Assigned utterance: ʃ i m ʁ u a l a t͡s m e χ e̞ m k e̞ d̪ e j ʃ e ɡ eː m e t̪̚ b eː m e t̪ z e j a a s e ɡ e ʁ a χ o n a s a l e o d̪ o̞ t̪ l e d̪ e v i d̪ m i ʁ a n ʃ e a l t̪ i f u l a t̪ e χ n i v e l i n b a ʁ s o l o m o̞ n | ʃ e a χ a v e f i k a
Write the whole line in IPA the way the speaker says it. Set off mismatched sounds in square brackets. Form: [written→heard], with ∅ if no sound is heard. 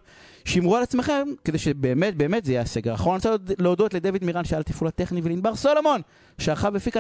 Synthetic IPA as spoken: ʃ i m ʁ u a l a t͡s m e χ e̞ m k e̞ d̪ e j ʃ e [ɡ→b] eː m e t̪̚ b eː m e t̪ z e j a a s e ɡ e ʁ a χ o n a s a l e o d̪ o̞ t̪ l e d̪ e v i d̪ m i ʁ a n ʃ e a l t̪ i f u l a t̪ e χ n i v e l i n b a ʁ s o l o m o̞ n | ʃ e a χ a v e f i k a